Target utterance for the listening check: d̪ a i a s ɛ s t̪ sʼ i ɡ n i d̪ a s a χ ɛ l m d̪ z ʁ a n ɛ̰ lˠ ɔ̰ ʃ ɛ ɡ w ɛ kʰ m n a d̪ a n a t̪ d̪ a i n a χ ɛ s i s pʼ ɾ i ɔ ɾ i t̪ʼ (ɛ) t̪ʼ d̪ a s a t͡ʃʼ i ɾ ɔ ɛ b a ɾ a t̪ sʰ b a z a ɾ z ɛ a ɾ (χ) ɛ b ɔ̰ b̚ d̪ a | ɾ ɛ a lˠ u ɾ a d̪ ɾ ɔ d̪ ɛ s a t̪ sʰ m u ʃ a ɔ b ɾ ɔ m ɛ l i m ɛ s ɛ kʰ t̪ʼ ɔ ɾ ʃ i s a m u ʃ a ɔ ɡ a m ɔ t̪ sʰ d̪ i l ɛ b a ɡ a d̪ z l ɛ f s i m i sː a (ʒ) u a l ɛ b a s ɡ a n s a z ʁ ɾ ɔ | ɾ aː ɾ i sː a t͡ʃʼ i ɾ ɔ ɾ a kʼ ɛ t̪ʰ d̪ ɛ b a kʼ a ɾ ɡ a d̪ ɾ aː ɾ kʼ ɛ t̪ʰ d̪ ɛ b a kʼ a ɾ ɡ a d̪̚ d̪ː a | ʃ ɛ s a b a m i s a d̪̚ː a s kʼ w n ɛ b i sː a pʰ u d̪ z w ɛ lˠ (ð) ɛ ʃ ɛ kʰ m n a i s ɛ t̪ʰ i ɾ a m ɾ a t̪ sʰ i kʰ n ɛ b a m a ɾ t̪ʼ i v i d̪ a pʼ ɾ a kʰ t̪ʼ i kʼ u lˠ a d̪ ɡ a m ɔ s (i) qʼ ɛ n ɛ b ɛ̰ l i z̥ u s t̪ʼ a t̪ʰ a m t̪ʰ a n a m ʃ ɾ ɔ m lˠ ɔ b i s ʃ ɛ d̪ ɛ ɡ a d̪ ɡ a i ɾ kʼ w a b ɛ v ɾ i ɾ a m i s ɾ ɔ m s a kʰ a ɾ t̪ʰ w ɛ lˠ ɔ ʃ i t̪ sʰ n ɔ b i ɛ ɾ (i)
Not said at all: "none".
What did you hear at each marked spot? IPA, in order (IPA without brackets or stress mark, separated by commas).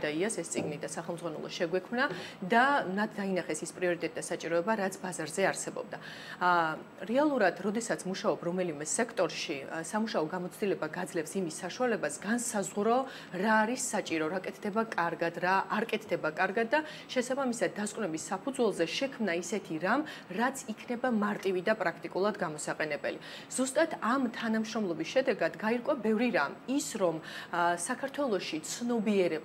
ɛ, s, ʃ, z, a, ɛ